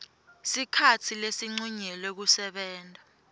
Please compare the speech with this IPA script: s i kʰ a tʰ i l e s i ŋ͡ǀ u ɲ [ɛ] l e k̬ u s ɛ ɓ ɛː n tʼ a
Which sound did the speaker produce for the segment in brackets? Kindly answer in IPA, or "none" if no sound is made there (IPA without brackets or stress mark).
ɛ